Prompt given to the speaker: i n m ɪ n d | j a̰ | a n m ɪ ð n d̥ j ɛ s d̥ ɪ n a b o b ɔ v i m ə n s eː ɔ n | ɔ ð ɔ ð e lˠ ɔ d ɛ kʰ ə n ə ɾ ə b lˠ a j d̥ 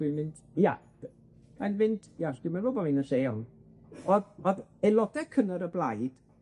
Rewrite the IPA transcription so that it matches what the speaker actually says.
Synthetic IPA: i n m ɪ n d | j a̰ | a n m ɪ n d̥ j a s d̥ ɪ m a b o b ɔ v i n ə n s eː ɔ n | ɔ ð ɔ ð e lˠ ɔ d ɛ kʰ ə n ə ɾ ə b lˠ a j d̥